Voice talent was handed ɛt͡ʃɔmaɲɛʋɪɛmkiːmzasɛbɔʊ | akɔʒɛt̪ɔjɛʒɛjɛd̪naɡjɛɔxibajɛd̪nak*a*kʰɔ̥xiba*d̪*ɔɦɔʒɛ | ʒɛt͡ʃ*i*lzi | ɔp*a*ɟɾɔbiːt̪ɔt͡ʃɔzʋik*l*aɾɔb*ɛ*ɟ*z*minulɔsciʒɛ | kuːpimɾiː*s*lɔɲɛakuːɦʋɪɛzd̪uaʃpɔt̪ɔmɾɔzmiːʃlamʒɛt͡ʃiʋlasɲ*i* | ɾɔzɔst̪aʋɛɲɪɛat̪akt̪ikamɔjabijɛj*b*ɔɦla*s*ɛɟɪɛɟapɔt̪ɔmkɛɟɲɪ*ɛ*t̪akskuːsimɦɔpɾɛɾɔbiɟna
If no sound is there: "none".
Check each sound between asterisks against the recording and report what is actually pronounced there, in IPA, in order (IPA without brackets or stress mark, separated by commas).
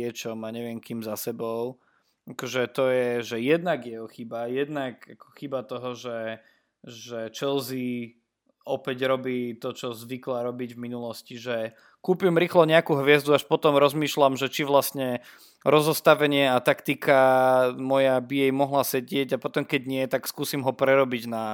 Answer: a, t̪, ɛ, ɛ, l, i, v, x, ɛ, m, s, ɛ